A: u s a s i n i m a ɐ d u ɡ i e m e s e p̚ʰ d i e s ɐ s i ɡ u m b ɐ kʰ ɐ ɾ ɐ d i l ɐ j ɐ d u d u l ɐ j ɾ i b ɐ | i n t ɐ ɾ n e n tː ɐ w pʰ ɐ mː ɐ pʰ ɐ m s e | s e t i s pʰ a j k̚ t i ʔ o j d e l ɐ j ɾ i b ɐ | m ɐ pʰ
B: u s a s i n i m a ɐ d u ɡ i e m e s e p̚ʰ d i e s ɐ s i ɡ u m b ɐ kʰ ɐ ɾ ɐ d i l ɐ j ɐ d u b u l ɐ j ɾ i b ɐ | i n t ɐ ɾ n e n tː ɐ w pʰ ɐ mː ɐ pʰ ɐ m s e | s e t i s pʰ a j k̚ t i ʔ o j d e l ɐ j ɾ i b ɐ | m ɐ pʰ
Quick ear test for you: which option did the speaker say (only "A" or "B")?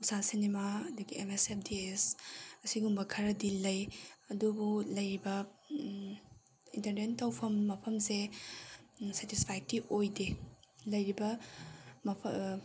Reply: B